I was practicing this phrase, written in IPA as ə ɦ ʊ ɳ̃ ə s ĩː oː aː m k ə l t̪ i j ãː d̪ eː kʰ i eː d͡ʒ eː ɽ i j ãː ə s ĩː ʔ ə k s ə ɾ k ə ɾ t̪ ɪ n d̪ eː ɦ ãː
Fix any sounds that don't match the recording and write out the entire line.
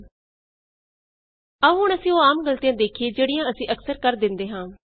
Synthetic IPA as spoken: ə ɦ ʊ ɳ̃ ə s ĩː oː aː m ɡ ə l t̪ i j ãː d̪ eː kʰ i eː d͡ʒ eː ɽ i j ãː ə s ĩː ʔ ə k s ə ɾ k ə ɾ d̪ ɪ n d̪ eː ɦ ãː

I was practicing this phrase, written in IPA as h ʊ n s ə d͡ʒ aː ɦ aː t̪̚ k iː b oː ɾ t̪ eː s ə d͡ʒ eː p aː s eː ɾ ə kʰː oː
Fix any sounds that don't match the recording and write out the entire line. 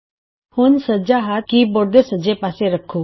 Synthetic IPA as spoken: h ʊ n s ə d͡ʒ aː ɦ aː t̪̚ k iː b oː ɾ d̪ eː s ə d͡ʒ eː p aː s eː ɾ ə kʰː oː

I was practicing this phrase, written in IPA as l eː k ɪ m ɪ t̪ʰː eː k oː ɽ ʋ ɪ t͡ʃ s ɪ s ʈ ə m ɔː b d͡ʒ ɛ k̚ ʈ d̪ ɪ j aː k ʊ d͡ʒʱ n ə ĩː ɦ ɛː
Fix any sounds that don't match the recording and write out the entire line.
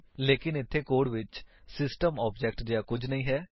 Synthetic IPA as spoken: l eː k ɪ n ɪ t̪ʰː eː k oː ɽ ʋ ɪ t͡ʃ s ɪ s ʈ ə m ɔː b d͡ʒ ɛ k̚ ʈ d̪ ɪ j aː k ʊ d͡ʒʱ n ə ĩː ɦ ɛː

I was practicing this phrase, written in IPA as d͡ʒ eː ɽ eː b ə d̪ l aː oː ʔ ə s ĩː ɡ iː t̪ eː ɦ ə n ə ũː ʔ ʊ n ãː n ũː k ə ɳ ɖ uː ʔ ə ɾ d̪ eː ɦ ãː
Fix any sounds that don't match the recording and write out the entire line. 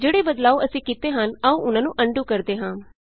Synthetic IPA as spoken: d͡ʒ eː ɽ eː b ə d̪ l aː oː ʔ ə s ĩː k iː t̪ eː ɦ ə n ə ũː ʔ ʊ n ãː n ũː ʔ ə ɳ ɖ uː k ə ɾ d̪ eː ɦ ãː

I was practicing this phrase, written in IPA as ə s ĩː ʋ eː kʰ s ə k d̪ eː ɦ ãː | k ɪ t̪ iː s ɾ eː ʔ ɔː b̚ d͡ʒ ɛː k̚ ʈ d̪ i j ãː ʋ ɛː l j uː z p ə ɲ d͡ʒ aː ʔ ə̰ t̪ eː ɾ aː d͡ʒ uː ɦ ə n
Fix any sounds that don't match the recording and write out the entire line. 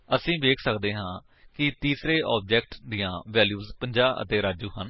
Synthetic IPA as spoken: ə s ĩː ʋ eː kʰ s ə k d̪ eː ɦ ãː | k ɪ t̪ iː s ɾ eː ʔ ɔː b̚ d͡ʒ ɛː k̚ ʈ d̪ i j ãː ʋ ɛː l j uː z p ə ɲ d͡ʒ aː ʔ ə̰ t̪ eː ɾ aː d͡ʒ uː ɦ ə n

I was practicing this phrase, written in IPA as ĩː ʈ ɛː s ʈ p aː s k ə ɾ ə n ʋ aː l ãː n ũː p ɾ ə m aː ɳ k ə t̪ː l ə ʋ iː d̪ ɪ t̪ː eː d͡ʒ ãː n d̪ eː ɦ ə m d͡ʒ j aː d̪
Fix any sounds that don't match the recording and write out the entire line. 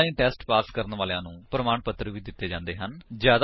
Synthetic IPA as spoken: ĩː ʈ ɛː s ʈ p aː s k ə ɾ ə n ʋ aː l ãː n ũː p ɾ ə m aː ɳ p ə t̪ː ɾ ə ʋ iː d̪ ɪ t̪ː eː d͡ʒ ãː n d̪ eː ɦ ə n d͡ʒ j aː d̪

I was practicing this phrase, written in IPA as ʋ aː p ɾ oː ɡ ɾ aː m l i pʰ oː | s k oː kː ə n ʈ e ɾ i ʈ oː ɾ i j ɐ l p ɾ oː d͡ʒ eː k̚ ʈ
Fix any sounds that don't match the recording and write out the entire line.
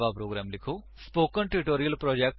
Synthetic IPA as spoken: ʋ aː p ɾ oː ɡ ɾ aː m l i kʰ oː | s p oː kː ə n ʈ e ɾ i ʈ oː ɾ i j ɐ l p ɾ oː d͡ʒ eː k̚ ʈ

